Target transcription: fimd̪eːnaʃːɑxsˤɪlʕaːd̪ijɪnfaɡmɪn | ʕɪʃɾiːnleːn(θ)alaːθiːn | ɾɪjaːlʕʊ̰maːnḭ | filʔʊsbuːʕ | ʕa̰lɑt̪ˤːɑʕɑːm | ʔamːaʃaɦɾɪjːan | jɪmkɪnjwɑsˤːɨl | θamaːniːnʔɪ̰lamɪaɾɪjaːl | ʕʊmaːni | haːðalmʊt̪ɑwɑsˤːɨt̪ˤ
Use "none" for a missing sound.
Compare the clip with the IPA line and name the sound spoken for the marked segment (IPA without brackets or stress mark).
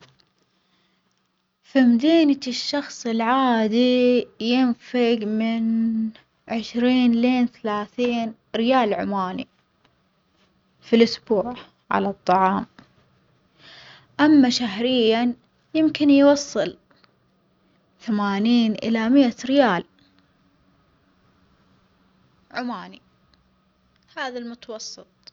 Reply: θ